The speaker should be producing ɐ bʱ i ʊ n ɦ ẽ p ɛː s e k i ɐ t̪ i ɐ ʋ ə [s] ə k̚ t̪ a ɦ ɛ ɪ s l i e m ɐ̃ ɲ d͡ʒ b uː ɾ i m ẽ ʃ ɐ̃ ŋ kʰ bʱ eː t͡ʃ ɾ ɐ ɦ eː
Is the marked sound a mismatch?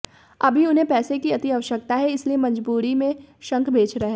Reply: yes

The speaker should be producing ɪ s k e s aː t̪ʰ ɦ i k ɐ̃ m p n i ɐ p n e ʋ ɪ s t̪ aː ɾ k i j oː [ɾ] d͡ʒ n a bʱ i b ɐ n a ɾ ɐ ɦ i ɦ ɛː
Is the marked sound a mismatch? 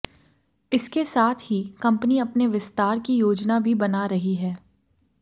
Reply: yes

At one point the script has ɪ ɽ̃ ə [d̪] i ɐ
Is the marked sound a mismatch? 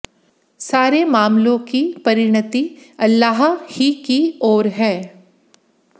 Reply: yes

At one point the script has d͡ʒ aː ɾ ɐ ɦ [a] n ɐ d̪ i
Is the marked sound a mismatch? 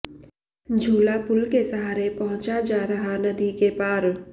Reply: no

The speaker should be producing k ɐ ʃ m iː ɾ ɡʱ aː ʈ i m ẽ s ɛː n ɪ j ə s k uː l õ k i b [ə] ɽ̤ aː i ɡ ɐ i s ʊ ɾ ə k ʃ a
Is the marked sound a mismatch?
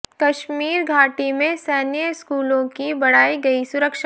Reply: yes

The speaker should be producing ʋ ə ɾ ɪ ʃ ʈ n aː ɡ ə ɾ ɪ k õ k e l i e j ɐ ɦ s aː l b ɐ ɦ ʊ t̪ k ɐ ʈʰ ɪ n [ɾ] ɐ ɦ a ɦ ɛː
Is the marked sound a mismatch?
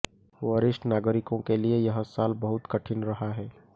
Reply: no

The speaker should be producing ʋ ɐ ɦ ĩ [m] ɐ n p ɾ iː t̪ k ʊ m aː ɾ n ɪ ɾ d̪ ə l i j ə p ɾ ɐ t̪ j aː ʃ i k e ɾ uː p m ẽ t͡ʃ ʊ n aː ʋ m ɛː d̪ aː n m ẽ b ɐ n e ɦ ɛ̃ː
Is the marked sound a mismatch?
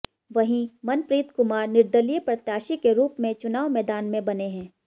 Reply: no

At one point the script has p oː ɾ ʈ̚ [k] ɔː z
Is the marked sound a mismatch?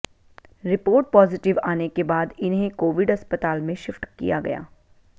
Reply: yes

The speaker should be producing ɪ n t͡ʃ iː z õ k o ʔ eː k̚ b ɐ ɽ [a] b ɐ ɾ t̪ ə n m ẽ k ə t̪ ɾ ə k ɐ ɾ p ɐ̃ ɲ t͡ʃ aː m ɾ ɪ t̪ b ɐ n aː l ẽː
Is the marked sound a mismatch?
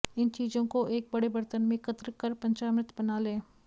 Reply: yes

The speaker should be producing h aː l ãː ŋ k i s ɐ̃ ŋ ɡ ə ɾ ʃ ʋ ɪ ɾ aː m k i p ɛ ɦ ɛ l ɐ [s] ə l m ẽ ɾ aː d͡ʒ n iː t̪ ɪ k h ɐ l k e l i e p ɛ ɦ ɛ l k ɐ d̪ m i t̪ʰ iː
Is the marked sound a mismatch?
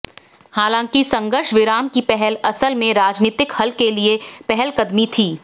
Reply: no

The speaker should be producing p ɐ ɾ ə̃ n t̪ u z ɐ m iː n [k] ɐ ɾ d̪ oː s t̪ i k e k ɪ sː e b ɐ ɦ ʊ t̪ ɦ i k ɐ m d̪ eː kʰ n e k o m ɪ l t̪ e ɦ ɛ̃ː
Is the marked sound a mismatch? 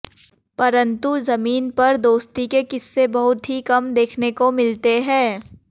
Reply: yes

